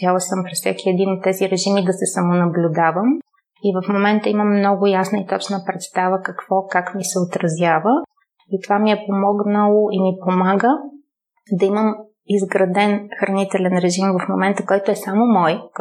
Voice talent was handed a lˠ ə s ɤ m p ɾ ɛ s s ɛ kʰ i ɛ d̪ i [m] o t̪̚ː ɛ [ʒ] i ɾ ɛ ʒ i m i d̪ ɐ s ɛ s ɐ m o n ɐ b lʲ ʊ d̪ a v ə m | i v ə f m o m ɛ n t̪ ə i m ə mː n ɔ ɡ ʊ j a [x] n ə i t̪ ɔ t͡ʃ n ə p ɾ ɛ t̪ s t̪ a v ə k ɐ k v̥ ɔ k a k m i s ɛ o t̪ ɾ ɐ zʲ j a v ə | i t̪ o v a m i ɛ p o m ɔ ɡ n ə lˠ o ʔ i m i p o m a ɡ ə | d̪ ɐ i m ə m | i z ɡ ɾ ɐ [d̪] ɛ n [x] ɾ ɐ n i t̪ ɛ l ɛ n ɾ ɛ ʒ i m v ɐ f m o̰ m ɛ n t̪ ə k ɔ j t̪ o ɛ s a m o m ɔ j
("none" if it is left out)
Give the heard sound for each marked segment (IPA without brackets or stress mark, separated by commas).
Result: n, z, s, d̪, x